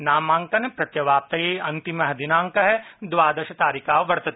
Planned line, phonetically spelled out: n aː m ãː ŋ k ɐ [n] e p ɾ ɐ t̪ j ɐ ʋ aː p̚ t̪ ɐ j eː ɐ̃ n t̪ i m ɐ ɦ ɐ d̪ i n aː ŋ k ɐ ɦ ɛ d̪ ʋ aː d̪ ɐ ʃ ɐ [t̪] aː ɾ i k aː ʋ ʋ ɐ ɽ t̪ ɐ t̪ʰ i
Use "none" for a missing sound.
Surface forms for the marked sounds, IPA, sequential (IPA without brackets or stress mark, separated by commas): n, t̪